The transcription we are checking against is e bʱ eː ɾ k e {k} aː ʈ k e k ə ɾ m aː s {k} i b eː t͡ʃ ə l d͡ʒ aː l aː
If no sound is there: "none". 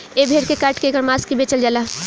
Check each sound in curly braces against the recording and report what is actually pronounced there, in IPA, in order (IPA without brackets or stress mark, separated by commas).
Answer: k, k